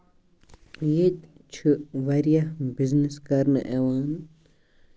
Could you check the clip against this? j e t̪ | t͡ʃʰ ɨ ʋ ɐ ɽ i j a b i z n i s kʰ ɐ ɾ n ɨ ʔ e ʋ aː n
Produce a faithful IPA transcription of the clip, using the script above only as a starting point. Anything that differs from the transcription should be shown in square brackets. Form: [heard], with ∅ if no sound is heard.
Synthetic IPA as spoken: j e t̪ | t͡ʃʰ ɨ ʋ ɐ [ɾ] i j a b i z n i s [k] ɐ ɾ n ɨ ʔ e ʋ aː n